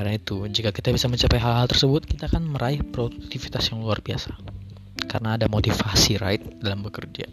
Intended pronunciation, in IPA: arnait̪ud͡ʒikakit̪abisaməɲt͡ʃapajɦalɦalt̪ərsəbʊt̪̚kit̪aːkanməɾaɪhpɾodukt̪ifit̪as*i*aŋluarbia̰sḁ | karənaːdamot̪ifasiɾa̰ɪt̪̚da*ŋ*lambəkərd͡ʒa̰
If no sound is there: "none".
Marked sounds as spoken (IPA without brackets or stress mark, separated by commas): j, none